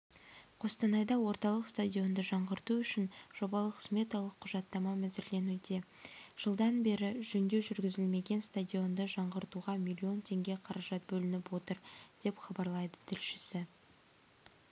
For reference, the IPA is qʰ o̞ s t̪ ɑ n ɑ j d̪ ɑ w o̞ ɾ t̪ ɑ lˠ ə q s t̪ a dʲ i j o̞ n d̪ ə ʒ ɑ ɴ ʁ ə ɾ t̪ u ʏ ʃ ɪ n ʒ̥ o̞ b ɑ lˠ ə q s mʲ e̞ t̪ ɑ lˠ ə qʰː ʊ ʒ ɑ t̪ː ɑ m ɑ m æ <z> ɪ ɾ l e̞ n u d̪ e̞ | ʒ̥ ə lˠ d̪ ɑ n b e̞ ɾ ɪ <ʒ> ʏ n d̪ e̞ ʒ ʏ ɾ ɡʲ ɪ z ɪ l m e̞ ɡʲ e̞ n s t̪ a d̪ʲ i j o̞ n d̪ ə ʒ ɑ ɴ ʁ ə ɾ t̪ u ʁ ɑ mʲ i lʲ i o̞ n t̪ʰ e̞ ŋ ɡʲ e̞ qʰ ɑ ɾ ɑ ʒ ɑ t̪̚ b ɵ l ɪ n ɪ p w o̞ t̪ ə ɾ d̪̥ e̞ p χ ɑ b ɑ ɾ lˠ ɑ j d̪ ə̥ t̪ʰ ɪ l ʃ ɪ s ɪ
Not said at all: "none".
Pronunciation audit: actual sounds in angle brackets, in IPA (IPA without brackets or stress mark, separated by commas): z, ʒ